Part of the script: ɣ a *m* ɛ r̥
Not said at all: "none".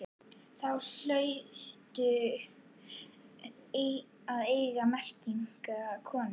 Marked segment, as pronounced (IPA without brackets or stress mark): m